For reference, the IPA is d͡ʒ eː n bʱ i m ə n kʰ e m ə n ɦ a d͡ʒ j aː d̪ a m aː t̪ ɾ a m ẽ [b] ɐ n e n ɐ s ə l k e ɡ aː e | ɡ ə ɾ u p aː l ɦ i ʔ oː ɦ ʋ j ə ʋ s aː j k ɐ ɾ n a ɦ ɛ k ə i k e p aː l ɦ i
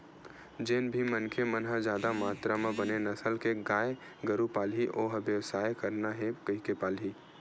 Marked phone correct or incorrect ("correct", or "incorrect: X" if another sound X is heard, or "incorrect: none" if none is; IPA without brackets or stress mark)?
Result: correct